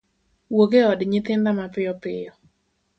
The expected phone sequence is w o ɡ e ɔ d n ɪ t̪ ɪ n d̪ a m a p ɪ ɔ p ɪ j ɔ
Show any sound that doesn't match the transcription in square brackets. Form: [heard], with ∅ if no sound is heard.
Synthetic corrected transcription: w o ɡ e ɔ d [ɲ] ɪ t̪ ɪ n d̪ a m a p ɪ ɔ p ɪ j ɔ